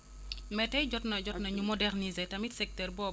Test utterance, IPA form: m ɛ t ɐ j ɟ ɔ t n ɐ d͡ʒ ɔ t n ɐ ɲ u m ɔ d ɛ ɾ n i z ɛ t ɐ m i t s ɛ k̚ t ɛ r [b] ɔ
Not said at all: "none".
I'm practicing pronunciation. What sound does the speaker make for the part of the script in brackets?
b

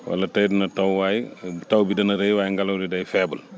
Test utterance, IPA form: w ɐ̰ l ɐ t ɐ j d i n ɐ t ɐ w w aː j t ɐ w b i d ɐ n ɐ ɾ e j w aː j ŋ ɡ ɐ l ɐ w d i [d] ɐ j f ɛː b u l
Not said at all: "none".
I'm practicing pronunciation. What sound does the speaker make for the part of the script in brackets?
d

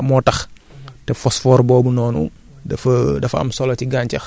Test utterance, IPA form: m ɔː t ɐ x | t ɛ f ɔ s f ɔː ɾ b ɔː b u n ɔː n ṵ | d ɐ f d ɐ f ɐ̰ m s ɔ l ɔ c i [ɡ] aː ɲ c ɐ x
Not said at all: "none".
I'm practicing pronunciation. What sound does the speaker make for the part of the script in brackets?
ɡ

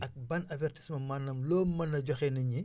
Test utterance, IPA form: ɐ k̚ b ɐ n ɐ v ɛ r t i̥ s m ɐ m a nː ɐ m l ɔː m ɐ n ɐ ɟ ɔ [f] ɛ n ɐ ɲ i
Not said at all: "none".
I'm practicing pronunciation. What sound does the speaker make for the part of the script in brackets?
x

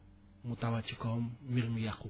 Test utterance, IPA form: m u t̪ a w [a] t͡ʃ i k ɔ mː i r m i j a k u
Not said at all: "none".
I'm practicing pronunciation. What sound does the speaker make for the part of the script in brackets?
a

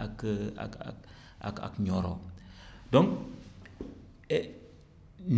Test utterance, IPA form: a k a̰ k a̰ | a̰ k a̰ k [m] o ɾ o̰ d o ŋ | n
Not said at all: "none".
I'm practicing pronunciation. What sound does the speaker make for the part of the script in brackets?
ɲ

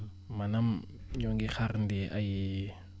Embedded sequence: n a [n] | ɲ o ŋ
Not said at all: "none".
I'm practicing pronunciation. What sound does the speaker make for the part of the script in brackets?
m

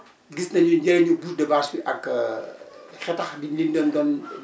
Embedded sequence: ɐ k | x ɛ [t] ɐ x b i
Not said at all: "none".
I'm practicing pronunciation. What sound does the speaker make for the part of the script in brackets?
t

